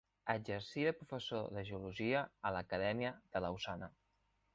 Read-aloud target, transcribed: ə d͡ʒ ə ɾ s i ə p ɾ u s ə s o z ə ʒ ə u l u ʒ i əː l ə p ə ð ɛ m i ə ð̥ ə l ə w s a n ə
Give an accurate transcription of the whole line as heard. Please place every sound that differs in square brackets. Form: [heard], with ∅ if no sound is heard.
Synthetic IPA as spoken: ə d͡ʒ ə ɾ s i ə p ɾ u [f] ə s o [ð] ə ʒ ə u l u ʒ i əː l ə [k] ə ð ɛ m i ə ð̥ ə l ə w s a n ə